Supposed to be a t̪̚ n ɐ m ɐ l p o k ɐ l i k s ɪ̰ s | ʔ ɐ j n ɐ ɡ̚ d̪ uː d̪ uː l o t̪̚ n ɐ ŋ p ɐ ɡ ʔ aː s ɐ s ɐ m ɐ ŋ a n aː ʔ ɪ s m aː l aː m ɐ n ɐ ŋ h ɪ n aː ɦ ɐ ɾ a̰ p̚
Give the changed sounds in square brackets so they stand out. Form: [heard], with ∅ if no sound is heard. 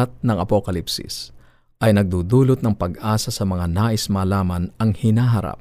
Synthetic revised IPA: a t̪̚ n ɐ [ŋ] ɐ [∅] p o k ɐ l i [p] s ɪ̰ s | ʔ ɐ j n ɐ ɡ̚ d̪ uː d̪ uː l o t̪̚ n ɐ ŋ p ɐ ɡ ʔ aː s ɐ s ɐ m ɐ ŋ a n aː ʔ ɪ s m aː l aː m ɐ n ɐ ŋ h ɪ n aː ɦ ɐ ɾ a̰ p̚